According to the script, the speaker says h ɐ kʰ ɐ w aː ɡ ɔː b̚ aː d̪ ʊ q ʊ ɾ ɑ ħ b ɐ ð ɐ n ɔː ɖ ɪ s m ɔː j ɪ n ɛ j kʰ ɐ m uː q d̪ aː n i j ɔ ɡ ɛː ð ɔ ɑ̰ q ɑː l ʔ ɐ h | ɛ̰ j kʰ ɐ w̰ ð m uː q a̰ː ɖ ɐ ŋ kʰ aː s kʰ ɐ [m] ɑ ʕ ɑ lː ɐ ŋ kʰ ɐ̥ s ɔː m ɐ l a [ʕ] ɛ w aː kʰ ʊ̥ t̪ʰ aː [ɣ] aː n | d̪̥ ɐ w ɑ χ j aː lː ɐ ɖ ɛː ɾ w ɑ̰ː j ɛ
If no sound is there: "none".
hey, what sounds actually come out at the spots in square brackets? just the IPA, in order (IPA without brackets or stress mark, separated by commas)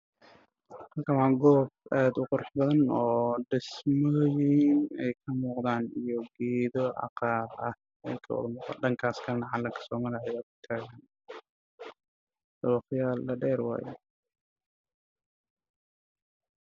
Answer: n, ʕ, ɣ